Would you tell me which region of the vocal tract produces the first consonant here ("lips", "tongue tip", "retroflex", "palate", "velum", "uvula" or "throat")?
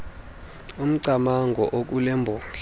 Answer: lips